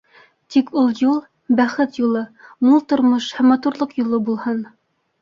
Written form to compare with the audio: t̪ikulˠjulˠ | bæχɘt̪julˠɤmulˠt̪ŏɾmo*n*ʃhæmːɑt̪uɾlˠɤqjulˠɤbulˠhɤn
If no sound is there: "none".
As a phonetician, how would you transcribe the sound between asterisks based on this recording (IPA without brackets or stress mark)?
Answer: none